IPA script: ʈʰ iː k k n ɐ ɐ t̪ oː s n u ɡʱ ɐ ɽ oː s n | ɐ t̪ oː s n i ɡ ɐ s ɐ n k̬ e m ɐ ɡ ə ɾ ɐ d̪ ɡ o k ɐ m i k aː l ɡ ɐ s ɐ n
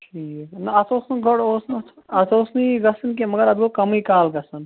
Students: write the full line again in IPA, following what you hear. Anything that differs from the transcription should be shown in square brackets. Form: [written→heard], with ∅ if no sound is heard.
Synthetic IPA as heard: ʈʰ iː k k n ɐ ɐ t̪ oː s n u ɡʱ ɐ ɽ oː s n | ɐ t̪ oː s n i ɡ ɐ s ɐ n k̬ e m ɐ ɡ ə ɾ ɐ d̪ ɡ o k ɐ m i k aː l ɡ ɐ s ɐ n

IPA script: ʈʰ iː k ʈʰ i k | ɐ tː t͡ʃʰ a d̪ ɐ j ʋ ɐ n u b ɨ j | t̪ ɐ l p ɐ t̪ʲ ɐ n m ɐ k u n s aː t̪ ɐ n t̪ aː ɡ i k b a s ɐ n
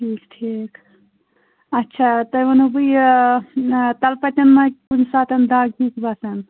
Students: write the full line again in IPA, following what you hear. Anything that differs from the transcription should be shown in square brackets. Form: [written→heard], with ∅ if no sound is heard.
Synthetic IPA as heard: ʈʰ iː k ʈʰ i k | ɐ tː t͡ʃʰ a [d̪→t̪] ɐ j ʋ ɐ n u b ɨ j | t̪ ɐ l p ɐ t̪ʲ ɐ n m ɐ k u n s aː t̪ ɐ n [t̪→d̪] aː ɡ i k b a s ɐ n

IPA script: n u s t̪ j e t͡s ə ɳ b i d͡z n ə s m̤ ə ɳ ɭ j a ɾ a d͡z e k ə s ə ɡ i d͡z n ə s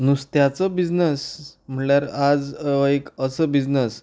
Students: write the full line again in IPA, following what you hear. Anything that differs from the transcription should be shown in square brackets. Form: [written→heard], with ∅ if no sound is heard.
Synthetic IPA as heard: n u s t̪ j [e→a] t͡s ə [ɳ→∅] b i d͡z n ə s m̤ ə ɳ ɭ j a ɾ a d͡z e k ə s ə [ɡ→b] i d͡z n ə s

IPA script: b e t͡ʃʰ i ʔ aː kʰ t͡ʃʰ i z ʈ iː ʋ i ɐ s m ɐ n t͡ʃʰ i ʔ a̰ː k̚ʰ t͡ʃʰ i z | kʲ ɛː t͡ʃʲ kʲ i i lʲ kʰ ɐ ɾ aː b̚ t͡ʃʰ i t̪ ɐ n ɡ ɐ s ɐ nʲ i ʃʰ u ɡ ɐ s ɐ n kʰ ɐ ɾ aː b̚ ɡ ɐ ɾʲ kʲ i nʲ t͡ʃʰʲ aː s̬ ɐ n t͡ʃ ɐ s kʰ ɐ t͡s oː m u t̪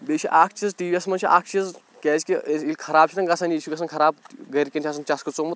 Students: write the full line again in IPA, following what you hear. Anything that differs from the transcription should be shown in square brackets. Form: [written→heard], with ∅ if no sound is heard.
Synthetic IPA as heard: b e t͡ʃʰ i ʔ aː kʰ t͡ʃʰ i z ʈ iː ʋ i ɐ s m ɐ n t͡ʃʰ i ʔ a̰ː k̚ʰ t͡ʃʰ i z | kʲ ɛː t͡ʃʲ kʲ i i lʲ kʰ ɐ ɾ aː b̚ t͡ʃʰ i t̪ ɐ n ɡ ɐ s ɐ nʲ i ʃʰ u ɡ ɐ s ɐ n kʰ ɐ ɾ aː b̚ ɡ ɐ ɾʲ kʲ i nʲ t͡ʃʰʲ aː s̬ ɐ n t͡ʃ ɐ s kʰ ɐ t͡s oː m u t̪

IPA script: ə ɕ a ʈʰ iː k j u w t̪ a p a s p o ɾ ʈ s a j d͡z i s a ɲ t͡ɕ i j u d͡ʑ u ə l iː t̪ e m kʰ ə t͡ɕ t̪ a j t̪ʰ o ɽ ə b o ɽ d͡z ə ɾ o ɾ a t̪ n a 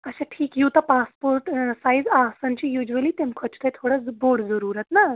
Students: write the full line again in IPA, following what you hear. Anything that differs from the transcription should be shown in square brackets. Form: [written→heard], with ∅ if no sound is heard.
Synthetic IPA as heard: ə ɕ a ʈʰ iː k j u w t̪ a p a s p o ɾ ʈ s a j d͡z [i→a] s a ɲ t͡ɕ i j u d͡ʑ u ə l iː t̪ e m kʰ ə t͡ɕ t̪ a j t̪ʰ o ɽ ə b o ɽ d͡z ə ɾ [o→u] ɾ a t̪ n a

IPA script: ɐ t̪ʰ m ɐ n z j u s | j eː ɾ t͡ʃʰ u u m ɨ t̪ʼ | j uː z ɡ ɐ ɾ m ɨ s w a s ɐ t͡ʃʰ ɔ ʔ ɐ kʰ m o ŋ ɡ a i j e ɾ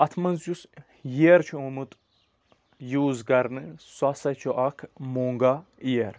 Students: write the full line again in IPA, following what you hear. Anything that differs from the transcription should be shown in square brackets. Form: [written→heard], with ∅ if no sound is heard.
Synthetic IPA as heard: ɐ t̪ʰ m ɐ n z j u s | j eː ɾ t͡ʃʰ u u m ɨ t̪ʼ | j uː z ɡ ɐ ɾ [m→n] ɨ s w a s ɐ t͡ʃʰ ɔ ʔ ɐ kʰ m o ŋ ɡ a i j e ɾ

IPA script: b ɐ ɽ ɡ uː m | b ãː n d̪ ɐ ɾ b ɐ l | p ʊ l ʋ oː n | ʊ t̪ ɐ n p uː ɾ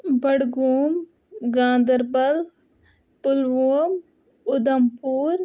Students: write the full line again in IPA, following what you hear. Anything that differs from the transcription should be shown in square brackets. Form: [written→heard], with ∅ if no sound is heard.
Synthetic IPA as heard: b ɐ ɽ ɡ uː m | [b→ɡ] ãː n d̪ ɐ ɾ b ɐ l | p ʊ l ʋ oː [n→m] | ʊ [t̪→d̪] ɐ [n→m] p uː ɾ

